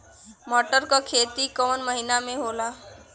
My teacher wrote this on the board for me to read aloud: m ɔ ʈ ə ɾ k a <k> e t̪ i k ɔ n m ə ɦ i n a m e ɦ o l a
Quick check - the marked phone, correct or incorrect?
incorrect: kʰ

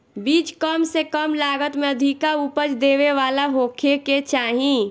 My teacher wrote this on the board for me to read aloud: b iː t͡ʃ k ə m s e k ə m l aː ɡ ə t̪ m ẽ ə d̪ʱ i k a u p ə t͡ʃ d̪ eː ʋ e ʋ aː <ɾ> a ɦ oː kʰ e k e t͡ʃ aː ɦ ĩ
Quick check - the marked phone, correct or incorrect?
incorrect: l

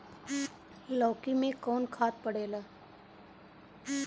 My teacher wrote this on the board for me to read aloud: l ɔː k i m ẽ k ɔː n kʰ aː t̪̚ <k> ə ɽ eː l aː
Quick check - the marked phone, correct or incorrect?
incorrect: p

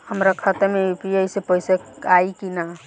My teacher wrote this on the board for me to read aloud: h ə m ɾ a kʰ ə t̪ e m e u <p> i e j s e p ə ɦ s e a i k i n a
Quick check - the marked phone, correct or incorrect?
correct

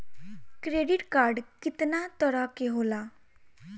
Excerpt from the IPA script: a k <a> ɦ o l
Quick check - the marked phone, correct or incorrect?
incorrect: e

